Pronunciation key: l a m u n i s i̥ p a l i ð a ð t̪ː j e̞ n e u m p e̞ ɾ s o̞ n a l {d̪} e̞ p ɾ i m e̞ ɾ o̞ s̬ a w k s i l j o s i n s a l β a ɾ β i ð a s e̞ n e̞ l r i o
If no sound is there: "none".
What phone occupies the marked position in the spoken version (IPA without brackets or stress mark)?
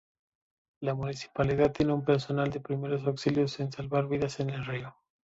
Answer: d̪